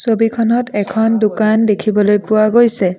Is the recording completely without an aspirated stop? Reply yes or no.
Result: no